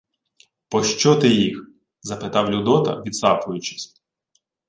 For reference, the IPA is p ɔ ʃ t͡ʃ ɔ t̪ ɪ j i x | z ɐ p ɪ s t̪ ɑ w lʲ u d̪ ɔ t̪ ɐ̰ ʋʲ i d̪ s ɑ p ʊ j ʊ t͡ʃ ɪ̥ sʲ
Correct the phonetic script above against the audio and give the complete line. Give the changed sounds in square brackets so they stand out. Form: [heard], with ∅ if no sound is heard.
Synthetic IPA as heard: p ɔ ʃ t͡ʃ ɔ t̪ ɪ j i x | z ɐ p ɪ [∅] t̪ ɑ w lʲ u d̪ ɔ t̪ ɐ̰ ʋʲ i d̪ s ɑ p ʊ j ʊ t͡ʃ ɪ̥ sʲ